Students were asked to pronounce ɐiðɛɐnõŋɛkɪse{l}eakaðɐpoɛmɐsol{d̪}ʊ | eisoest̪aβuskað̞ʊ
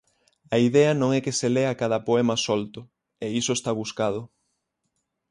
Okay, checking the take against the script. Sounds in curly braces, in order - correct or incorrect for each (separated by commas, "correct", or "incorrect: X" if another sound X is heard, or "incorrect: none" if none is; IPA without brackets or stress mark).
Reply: correct, incorrect: t̪